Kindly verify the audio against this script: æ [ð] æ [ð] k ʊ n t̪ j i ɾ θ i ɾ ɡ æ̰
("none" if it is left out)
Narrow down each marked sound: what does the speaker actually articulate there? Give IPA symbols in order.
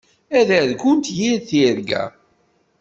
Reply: ð, ð

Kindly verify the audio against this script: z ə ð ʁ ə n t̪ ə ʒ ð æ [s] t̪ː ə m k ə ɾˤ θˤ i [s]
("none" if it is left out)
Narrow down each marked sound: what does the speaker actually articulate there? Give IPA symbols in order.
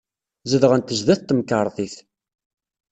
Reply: θ, θ

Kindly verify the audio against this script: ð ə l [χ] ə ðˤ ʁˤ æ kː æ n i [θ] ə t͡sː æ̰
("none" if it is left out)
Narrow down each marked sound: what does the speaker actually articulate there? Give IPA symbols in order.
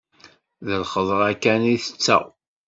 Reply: χ, θ

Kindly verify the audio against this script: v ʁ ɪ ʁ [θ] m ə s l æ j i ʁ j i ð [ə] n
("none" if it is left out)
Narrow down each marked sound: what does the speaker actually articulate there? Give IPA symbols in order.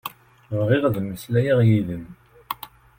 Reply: ð, ə

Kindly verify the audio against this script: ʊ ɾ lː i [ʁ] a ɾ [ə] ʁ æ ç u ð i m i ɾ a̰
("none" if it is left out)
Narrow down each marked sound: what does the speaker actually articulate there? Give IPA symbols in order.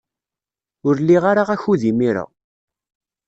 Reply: ʁ, a

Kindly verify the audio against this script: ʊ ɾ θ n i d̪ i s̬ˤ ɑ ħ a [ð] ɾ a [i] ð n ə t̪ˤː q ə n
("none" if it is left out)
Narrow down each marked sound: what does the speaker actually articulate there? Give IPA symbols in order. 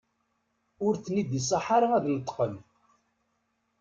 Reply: none, æ

